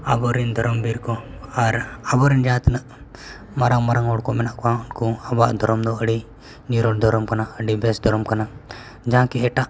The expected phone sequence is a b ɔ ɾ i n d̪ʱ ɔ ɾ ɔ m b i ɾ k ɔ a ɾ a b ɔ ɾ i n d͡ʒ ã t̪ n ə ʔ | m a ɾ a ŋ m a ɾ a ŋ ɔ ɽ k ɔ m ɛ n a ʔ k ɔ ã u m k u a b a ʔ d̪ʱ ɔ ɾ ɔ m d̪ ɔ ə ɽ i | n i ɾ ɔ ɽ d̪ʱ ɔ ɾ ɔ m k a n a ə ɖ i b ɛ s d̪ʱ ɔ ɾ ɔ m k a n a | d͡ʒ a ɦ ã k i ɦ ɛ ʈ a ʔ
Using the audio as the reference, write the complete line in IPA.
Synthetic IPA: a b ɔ ɾ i n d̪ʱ ɔ ɾ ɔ m b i ɾ k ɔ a ɾ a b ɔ ɾ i n d͡ʒ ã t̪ n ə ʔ | m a ɾ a ŋ m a ɾ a ŋ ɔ ɽ k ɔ m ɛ n a ʔ k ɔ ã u n k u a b a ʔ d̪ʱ ɔ ɾ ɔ m d̪ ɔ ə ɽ i | n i ɾ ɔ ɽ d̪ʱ ɔ ɾ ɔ m k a n a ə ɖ i b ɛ s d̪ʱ ɔ ɾ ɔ m k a n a | d͡ʒ a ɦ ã k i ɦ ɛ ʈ a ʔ